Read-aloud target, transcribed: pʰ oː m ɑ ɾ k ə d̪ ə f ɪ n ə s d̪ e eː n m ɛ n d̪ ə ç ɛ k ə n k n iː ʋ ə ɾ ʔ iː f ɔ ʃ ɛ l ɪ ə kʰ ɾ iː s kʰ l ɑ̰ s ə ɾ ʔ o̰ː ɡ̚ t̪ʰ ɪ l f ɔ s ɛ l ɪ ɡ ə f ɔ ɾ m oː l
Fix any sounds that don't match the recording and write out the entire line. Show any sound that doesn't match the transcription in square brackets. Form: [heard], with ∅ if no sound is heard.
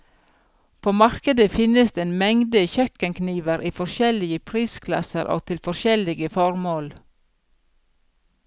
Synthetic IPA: pʰ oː m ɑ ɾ k ə d̪ ə f ɪ n ə s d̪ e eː n m ɛ [ŋ] d̪ ə ç [œ] k ə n k n iː ʋ ə ɾ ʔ iː f ɔ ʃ ɛ l ɪ ə [pʰ] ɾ iː s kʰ l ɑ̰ s ə ɾ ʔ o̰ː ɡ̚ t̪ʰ ɪ l f ɔ [ʃ] ɛ l ɪ ɡ ə f ɔ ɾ m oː l